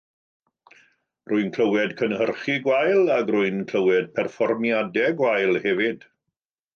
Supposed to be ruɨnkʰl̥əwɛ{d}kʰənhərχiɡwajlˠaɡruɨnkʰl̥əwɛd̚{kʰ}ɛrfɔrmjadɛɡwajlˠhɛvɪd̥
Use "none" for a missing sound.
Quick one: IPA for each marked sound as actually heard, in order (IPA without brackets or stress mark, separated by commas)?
d, pʰ